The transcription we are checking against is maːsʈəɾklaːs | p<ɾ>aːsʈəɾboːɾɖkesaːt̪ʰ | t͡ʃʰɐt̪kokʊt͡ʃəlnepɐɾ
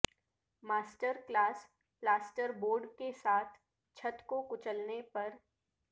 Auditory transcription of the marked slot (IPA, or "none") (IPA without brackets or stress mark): l